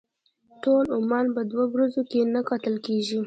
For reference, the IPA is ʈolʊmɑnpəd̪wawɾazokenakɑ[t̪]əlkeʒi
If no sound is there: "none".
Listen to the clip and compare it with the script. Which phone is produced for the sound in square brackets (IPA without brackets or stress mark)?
t̪